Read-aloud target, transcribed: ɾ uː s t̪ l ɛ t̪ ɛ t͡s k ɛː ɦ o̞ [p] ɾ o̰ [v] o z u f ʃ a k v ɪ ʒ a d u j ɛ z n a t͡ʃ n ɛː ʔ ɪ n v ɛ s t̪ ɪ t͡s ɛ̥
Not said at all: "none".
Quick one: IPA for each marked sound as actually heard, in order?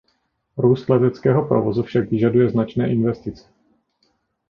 p, v

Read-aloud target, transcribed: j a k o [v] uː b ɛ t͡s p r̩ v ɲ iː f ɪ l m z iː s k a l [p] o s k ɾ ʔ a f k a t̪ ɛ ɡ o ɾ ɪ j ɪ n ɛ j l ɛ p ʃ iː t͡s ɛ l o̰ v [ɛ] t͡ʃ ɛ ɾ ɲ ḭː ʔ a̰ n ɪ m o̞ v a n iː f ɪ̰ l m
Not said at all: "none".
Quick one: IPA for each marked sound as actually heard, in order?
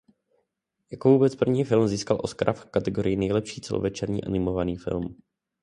v, ʔ, ɛ

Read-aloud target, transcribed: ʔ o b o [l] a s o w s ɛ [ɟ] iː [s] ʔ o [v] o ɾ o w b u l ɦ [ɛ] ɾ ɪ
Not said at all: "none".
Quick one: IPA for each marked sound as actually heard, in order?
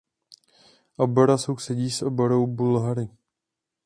ɾ, ɟ, s, b, a

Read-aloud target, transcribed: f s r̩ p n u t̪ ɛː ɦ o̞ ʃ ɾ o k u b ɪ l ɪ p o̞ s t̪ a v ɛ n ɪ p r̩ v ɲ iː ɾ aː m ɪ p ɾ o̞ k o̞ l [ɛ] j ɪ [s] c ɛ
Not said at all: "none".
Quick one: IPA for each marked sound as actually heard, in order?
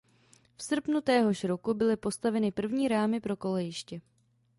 ɛ, ʃ

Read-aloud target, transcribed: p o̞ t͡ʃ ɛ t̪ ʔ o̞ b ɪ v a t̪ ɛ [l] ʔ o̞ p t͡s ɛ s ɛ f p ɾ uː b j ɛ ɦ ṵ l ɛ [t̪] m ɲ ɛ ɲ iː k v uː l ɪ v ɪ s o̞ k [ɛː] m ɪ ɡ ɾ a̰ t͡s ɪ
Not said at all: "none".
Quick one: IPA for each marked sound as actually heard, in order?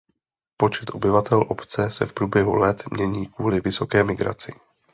l, t̪, ɛː

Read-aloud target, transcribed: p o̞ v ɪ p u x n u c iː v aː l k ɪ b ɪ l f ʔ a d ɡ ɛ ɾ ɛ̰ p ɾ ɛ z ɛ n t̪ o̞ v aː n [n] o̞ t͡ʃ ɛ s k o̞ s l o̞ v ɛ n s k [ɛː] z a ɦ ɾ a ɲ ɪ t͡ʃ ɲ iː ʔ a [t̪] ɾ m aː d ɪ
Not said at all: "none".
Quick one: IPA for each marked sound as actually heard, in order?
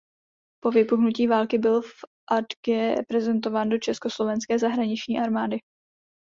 d, ɛː, none

